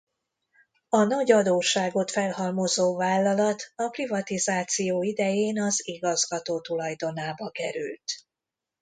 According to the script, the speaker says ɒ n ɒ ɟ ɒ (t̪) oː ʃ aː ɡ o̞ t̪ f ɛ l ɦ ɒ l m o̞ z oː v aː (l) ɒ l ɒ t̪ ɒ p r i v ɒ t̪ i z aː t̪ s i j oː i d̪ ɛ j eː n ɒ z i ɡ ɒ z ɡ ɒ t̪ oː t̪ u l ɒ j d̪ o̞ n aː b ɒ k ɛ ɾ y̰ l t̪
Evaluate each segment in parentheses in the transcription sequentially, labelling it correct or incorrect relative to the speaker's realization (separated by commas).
incorrect, incorrect